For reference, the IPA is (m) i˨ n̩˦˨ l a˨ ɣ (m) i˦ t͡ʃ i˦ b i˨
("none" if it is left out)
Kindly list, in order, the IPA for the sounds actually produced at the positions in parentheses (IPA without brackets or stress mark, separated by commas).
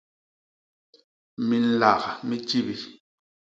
m, m